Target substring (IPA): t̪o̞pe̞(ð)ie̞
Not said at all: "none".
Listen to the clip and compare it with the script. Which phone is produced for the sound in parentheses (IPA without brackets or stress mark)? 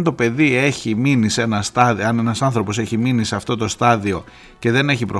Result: ð